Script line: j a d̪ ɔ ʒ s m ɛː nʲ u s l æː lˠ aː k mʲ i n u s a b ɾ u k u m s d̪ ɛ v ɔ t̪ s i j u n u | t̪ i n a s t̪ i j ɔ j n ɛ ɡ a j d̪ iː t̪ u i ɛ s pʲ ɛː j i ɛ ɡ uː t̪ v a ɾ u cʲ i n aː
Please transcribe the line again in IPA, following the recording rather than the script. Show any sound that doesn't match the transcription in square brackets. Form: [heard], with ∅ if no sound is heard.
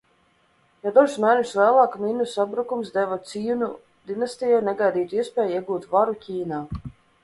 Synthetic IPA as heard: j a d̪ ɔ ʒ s m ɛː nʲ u s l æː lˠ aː k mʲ i n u s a b ɾ u k u m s d̪ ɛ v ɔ t̪ s i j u n u | [d̪] i n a s t̪ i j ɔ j n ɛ ɡ a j d̪ iː t̪ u i ɛ s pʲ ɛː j i ɛ ɡ uː t̪ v a ɾ u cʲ [iː] n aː